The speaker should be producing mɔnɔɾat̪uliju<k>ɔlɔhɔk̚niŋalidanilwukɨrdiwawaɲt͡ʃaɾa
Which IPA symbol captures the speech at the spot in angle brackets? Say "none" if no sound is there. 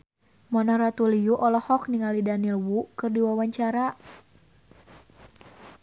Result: ʔ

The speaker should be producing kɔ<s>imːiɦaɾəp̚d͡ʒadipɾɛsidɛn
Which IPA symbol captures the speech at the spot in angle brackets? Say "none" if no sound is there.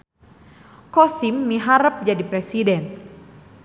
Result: s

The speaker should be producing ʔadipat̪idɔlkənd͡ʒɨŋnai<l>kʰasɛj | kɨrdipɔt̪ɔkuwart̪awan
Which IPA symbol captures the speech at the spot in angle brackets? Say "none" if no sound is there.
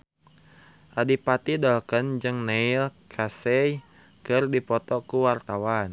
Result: l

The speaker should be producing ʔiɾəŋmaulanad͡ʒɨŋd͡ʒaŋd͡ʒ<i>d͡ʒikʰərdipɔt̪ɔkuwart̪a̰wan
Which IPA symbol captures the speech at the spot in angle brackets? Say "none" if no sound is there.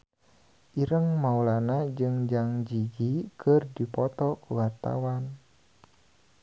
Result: i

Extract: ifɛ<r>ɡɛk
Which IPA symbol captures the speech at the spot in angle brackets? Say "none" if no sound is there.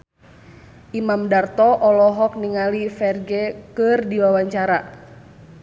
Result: r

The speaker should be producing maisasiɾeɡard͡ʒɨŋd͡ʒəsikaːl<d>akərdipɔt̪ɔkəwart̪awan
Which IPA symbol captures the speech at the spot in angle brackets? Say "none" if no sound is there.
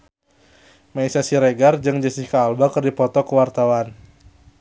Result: b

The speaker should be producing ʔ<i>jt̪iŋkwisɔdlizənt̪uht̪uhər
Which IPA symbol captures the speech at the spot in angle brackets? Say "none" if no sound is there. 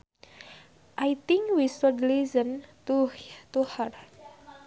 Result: a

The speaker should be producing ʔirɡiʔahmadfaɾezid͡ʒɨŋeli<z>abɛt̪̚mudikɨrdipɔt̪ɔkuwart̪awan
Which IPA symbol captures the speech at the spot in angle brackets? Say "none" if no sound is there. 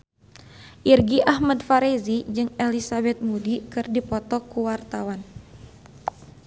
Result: s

